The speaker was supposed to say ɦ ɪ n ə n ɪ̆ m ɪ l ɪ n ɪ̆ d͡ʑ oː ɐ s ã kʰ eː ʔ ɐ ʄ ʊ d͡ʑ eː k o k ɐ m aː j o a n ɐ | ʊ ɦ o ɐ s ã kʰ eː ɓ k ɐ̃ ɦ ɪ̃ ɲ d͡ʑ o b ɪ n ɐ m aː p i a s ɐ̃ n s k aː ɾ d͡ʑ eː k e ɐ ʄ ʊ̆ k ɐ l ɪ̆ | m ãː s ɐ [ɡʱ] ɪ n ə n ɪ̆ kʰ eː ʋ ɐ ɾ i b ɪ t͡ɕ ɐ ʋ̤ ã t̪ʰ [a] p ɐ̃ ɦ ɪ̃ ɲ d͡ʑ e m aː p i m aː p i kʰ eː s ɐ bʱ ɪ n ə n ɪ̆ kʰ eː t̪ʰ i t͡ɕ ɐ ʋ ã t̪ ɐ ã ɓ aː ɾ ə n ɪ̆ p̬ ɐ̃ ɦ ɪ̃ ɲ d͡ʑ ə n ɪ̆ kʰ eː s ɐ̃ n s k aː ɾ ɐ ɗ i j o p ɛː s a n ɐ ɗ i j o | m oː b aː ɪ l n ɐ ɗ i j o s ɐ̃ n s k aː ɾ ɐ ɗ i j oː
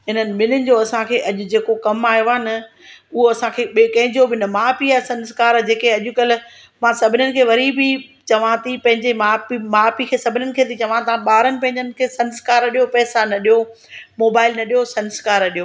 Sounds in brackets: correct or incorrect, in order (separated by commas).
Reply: incorrect, incorrect